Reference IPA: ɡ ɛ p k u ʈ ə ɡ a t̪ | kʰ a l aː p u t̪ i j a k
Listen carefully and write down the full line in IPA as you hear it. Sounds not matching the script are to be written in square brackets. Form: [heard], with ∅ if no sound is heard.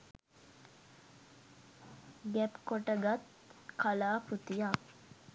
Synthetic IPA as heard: ɡ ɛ p k [o] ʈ ə ɡ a t̪ | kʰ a l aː p u t̪ i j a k